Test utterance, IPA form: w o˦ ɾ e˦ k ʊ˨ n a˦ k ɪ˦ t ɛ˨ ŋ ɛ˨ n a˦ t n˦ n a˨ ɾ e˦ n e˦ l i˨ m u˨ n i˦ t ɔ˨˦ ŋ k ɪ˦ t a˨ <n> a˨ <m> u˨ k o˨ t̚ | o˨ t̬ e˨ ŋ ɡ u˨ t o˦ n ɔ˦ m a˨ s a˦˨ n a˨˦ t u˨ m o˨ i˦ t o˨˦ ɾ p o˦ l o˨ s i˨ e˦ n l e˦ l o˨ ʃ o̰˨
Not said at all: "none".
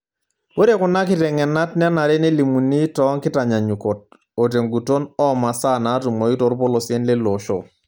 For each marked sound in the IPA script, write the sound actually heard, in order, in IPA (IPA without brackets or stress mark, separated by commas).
ɲ, ɲ